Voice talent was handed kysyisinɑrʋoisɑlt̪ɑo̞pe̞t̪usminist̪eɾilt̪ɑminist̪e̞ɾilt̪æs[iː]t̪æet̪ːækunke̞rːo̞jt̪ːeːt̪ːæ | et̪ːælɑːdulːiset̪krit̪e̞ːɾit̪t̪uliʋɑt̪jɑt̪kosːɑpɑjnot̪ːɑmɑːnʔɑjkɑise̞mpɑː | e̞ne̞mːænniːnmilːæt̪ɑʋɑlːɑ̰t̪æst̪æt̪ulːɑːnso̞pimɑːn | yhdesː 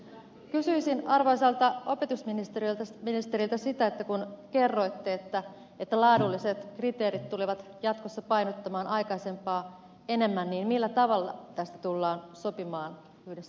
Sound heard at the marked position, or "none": i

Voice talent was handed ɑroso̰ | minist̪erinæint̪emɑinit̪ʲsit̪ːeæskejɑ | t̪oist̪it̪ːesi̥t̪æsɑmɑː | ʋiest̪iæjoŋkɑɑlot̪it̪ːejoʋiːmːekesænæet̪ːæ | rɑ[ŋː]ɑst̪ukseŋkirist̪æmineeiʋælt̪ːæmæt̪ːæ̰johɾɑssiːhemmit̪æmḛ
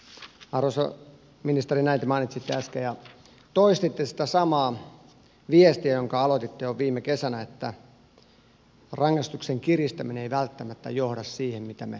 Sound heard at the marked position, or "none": ŋː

